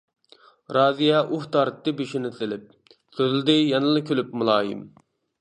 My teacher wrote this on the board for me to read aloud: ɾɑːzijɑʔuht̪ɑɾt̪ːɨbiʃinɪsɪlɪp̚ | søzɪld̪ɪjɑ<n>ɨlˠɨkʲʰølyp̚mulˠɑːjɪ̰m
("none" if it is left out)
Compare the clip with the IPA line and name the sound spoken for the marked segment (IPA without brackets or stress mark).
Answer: n